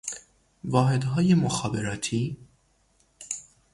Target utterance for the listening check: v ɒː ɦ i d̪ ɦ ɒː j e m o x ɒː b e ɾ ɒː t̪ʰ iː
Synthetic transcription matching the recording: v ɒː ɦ e d̪ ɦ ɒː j e m o x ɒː b e ɾ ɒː t̪ʰ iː